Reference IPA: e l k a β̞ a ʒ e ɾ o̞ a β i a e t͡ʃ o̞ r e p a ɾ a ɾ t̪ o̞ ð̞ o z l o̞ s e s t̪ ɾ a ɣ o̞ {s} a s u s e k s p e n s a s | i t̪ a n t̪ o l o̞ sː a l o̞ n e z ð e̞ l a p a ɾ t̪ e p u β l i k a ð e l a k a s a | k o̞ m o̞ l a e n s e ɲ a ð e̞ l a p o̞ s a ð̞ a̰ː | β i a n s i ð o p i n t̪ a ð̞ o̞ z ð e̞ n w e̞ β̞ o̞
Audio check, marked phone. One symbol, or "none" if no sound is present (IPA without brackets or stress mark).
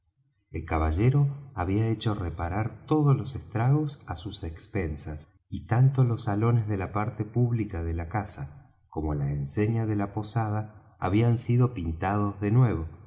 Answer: s